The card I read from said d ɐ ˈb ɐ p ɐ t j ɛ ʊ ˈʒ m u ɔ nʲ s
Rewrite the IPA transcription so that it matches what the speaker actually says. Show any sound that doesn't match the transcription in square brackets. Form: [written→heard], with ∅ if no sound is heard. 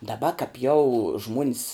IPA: d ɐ ˈb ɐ [p→k] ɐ [t→p] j ɛ ʊ ˈʒ m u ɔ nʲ s

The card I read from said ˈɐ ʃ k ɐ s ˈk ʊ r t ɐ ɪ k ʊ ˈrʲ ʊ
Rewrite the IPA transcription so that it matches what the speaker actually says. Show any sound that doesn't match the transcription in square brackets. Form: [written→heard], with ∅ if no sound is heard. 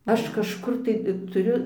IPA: ˈɐ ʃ k ɐ [s→ʃ] ˈk ʊ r t ɐ ɪ [k→t] ʊ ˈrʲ ʊ

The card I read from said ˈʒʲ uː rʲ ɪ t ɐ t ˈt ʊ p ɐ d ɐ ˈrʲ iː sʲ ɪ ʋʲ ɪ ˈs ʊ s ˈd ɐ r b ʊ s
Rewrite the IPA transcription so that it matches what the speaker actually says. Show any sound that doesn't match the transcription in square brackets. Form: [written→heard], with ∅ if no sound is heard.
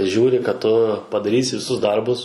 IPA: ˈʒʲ uː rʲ ɪ [t→k] ɐ t ˈt ʊ p ɐ d ɐ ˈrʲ iː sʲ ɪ ʋʲ ɪ ˈs ʊ s ˈd ɐ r b ʊ s

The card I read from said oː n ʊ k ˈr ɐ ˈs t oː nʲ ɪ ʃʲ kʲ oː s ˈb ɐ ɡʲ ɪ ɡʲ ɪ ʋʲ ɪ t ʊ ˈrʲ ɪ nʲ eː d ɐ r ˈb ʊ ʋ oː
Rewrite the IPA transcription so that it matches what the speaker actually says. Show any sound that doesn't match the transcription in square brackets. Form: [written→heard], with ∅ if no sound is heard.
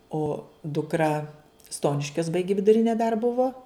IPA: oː [n→d] ʊ k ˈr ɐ ˈs t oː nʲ ɪ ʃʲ kʲ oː s ˈb ɐ [ɡʲ→∅] ɪ ɡʲ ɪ ʋʲ ɪ [t→d] ʊ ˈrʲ ɪ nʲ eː d ɐ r ˈb ʊ ʋ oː

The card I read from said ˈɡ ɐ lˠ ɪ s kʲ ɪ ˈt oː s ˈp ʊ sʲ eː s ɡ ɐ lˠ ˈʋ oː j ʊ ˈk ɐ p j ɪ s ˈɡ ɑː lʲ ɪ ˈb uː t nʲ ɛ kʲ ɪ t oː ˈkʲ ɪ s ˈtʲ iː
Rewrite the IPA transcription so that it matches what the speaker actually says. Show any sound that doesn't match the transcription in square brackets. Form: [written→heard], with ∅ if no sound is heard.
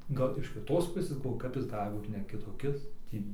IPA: ˈɡ ɐ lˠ ɪ [s→ʃ] kʲ ɪ ˈt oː s ˈp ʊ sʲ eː s ɡ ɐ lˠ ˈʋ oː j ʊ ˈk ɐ p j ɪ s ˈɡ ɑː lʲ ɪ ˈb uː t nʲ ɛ kʲ ɪ t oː ˈkʲ ɪ s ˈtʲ iː

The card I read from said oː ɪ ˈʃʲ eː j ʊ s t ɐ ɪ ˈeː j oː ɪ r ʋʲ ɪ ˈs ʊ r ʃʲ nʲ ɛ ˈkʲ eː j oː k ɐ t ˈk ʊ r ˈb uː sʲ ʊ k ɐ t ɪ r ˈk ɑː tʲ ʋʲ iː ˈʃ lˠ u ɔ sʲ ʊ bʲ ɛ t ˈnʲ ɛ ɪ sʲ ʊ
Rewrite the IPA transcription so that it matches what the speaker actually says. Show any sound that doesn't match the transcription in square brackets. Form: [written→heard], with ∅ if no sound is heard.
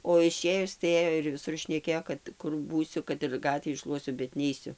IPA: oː ɪ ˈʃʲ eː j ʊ s t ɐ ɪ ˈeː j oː ɪ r ʋʲ ɪ ˈs ʊ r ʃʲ nʲ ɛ ˈkʲ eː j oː k ɐ t ˈk ʊ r ˈb uː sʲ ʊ k ɐ t ɪ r [ˈk→ˈɡ] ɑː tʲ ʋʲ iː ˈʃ lˠ u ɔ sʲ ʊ bʲ ɛ t ˈnʲ ɛ ɪ sʲ ʊ

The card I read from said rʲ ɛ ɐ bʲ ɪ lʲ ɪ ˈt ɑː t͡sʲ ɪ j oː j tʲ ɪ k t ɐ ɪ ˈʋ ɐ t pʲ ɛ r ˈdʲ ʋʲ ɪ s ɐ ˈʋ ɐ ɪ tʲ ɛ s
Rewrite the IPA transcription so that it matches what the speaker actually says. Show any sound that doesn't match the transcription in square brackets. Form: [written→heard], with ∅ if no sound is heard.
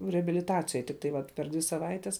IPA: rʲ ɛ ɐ bʲ ɪ lʲ ɪ ˈt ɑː t͡sʲ ɪ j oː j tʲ ɪ k t ɐ ɪ ˈʋ ɐ t pʲ ɛ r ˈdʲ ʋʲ ɪ s ɐ ˈʋ ɐ ɪ tʲ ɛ s

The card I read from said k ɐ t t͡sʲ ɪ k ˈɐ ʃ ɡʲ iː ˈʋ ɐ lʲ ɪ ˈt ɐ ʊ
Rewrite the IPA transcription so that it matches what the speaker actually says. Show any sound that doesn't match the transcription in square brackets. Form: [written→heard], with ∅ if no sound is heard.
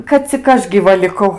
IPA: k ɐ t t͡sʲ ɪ k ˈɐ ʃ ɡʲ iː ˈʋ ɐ lʲ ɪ [ˈt→ˈk] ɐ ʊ

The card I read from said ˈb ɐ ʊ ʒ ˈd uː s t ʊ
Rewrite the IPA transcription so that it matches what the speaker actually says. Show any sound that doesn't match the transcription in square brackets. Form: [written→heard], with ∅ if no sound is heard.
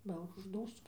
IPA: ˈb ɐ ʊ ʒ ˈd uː s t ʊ

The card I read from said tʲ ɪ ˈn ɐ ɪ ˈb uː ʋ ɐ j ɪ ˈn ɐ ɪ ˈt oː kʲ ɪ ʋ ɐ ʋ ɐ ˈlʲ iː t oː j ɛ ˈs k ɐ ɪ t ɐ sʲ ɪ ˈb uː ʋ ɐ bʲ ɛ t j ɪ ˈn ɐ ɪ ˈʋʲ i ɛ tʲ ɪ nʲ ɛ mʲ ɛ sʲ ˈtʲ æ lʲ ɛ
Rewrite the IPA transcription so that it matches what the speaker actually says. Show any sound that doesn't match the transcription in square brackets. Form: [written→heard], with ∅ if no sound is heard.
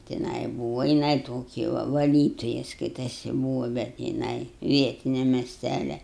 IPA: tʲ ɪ ˈn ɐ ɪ ˈb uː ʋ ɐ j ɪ ˈn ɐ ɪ ˈt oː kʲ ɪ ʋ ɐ ʋ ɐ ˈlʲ iː t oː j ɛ ˈs k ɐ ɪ t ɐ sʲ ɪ ˈb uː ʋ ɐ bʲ ɛ t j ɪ ˈn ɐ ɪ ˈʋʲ i ɛ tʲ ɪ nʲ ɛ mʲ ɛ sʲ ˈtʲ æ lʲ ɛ

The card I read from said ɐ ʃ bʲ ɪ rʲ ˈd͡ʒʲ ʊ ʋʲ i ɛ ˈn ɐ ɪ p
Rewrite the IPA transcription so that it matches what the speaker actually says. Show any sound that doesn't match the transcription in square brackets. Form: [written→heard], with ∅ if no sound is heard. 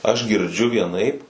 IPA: ɐ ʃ [bʲ→ɡʲ] ɪ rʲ ˈd͡ʒʲ ʊ ʋʲ i ɛ ˈn ɐ ɪ p

